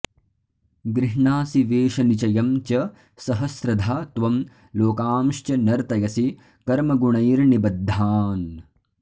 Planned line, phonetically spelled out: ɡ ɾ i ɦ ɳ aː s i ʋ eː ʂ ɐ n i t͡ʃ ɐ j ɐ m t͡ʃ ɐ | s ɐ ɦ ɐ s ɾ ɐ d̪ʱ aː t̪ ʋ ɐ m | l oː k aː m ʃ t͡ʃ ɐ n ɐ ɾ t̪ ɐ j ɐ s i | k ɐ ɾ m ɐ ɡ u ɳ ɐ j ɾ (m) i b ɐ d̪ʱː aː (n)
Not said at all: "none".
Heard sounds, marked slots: n, n

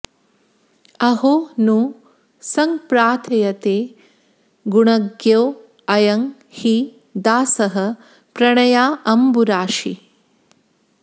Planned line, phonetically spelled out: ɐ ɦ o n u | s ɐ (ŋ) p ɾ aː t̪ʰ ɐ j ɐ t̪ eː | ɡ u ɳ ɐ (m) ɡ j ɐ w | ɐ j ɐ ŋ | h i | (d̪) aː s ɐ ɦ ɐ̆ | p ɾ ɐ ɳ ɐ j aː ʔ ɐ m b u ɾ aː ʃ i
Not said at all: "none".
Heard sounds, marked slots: ŋ, none, d̪

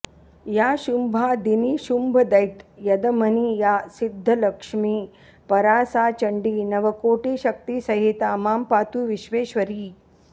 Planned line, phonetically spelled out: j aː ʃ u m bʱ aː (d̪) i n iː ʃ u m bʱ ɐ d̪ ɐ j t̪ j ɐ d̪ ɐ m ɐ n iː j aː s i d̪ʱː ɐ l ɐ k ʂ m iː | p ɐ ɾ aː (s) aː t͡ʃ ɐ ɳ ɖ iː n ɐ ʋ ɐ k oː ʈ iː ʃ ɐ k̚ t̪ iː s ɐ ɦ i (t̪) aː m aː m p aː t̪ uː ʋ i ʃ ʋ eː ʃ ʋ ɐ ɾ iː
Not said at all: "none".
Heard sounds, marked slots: d̪, s, t̪

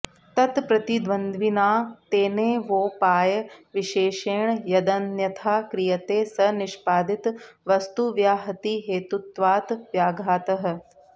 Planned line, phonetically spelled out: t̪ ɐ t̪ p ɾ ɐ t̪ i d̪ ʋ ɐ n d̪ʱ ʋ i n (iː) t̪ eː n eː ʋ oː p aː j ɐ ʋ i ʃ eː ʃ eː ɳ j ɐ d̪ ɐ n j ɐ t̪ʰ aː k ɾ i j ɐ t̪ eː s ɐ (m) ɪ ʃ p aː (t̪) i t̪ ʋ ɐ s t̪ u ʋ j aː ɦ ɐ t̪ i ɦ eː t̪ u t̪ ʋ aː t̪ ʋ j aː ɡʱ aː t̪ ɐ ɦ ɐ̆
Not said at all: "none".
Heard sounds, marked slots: aː, n, d̪

